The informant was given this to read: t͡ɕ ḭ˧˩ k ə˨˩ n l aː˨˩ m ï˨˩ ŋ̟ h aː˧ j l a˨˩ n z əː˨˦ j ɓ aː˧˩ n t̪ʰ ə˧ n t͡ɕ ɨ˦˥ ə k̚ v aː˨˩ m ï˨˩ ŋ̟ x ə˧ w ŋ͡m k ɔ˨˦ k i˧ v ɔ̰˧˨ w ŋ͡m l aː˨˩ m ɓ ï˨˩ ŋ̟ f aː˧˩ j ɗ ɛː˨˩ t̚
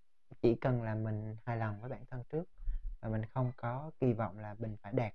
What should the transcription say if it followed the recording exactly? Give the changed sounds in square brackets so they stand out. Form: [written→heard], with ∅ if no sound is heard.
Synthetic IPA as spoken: t͡ɕ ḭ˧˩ k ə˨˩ n l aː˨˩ m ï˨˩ ŋ̟ h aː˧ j l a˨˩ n [z→v] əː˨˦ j ɓ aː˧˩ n t̪ʰ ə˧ n t͡ɕ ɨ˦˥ ə k̚ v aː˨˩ m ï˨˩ ŋ̟ x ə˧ w ŋ͡m k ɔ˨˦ k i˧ v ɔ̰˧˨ w ŋ͡m l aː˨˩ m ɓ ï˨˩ ŋ̟ f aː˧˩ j ɗ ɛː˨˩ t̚